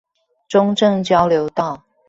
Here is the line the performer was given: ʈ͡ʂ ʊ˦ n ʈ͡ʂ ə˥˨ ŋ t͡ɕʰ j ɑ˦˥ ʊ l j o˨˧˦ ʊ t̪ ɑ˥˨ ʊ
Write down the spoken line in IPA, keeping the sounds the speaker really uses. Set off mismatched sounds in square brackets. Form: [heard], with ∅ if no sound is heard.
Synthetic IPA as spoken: ʈ͡ʂ ʊ˦ [ŋ] ʈ͡ʂ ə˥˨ ŋ [t͡ɕ] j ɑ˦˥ ʊ l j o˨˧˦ ʊ t̪ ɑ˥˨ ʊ